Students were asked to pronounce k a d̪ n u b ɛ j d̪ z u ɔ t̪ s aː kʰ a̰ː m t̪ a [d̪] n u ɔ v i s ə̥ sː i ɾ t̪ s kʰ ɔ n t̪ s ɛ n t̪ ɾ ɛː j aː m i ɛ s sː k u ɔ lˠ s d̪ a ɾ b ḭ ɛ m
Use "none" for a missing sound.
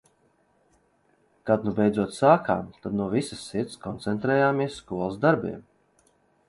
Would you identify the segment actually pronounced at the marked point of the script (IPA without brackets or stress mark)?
d̪